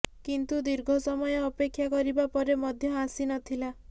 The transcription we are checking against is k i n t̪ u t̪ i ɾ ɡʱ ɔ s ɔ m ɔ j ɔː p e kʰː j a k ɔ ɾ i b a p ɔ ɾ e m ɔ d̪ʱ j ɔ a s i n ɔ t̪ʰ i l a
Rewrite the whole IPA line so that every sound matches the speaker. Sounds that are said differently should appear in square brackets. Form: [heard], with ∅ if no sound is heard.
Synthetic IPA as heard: k i n t̪ u [d̪] i ɾ ɡʱ ɔ s ɔ m ɔ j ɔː p e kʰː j a k ɔ ɾ i b a p ɔ ɾ e m ɔ d̪ʱ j ɔ a s i n ɔ t̪ʰ i l a